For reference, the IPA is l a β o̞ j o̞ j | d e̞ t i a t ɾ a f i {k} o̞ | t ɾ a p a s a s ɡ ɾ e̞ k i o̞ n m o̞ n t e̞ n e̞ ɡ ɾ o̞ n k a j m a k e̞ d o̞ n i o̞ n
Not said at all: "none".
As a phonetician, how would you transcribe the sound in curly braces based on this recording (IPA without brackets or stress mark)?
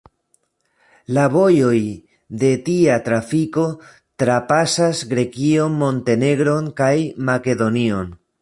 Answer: k